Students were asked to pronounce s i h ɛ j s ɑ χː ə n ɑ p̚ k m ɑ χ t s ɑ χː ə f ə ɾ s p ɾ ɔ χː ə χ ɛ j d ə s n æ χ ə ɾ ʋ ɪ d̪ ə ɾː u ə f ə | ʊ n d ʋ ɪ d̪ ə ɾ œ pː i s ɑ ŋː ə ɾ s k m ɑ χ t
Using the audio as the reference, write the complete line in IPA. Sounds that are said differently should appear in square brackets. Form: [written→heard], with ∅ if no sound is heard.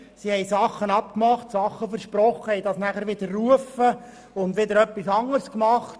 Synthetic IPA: s i h ɛ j s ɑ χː ə n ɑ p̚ k m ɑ χ t s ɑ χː ə f ə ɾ [s→ʃ] p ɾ ɔ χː ə [χ→h] ɛ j d [ə→ɑ] s n æ χ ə ɾ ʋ ɪ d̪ ə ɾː u ə f ə | ʊ n d ʋ ɪ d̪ ə ɾ œ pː i s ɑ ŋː ə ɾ s k m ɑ χ t